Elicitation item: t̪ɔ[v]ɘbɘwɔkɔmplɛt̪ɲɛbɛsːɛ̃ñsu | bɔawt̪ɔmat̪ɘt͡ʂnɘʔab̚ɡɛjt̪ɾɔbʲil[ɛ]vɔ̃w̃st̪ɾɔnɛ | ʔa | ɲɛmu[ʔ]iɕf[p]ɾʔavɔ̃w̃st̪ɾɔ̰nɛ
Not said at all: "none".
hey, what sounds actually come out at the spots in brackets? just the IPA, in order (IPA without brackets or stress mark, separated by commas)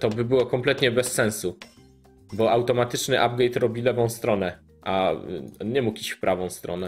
b, ɛ, k, p